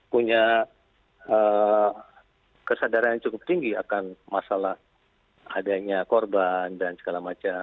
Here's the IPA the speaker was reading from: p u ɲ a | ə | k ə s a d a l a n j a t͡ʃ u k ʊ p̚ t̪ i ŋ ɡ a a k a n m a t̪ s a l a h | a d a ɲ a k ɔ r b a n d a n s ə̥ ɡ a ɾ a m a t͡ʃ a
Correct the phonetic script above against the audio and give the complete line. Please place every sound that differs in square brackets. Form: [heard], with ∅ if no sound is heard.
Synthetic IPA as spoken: p u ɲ a | ə | k ə s a d a [ɾ] a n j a t͡ʃ u k ʊ p̚ t̪ i ŋ ɡ [i] a k a n m a [∅] s a l a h | a d a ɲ a k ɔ r b a n d a n s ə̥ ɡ a [l] a m a t͡ʃ a